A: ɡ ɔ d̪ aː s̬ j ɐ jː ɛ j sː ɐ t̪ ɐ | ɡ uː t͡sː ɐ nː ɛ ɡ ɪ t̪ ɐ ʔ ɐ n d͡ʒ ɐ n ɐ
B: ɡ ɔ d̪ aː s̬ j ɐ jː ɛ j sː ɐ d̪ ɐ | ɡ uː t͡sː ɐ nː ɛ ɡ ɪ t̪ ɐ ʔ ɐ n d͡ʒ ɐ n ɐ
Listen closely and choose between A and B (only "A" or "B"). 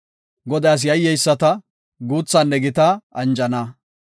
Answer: A